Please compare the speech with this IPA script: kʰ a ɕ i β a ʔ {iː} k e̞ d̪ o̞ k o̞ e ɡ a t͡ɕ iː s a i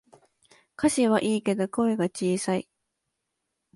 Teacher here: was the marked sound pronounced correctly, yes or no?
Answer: yes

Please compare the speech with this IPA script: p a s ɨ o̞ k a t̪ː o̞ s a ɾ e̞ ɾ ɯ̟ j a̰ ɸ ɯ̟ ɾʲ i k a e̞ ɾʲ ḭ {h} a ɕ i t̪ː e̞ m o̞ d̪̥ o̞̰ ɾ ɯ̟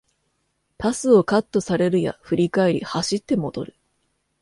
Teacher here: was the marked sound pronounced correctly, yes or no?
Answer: yes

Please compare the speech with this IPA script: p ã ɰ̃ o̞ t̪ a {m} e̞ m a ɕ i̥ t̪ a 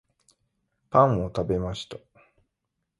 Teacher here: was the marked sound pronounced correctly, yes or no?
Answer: no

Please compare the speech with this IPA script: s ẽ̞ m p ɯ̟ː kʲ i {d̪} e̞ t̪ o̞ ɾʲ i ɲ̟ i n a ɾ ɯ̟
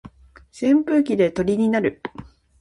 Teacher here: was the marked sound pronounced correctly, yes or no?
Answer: yes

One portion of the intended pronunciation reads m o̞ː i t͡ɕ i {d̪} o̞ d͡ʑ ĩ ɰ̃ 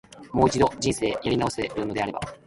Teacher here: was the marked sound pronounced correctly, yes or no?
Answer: yes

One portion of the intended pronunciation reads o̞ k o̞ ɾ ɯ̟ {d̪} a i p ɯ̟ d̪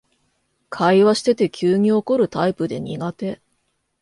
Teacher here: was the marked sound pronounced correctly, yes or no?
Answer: no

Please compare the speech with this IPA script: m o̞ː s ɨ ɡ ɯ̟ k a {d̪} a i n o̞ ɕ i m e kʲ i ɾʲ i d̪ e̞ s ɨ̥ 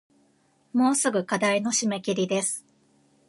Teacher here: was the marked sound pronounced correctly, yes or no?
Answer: yes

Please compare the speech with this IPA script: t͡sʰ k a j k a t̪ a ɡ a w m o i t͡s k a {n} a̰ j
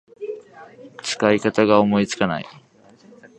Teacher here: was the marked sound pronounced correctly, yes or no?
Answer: yes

